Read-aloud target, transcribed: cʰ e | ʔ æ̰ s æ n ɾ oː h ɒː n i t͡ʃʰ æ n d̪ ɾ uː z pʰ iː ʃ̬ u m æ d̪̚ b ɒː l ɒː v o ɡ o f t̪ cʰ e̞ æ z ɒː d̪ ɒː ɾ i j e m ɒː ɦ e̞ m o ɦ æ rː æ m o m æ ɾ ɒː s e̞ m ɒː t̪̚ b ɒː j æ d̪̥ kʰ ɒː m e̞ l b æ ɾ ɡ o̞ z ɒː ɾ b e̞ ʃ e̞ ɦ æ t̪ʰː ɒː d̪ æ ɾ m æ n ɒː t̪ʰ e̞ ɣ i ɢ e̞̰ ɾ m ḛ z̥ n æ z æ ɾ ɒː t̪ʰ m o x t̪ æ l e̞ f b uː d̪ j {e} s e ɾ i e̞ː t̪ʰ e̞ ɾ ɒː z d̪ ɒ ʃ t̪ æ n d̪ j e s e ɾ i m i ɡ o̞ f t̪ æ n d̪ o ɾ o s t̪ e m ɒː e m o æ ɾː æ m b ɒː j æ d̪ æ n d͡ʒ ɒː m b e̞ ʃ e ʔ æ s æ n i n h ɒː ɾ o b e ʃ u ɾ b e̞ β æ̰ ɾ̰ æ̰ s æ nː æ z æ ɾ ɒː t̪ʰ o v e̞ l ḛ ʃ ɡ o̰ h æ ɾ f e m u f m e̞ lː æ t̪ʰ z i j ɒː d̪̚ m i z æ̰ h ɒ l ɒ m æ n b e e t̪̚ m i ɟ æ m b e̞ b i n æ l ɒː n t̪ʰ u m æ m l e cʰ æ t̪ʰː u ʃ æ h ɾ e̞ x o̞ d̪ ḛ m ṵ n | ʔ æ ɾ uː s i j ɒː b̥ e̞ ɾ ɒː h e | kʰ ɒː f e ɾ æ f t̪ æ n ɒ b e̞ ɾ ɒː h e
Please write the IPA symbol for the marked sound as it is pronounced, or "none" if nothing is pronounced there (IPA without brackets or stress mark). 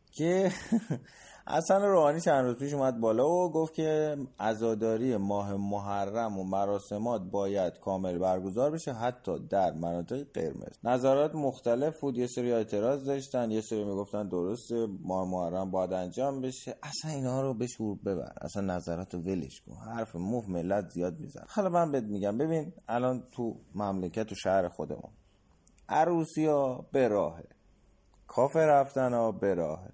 e